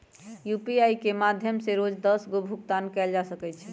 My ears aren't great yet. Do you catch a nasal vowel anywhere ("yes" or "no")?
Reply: no